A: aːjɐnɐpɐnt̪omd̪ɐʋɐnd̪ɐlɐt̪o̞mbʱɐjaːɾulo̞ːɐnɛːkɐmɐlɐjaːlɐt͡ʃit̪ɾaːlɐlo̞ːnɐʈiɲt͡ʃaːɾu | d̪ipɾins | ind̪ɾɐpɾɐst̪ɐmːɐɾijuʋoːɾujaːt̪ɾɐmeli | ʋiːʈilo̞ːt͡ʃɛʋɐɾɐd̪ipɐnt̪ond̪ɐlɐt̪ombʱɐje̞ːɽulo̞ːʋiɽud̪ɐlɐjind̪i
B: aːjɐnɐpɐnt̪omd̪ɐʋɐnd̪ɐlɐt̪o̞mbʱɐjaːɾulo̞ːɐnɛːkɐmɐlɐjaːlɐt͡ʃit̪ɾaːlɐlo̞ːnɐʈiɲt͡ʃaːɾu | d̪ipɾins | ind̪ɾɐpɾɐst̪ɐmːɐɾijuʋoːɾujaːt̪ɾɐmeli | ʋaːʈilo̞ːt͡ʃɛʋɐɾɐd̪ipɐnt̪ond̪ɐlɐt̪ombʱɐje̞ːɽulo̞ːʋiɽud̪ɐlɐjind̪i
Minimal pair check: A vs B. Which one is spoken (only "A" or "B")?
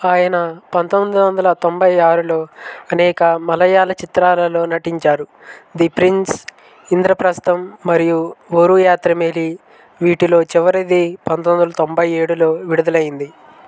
A